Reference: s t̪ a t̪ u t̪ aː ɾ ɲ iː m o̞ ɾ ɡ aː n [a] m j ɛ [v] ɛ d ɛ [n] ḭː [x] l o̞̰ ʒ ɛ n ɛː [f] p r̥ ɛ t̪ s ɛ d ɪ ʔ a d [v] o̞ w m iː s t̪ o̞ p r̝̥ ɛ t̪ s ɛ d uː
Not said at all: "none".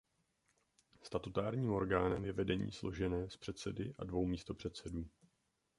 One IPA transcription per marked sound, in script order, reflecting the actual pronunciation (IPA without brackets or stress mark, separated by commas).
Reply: ɛ, v, ɲ, s, s, v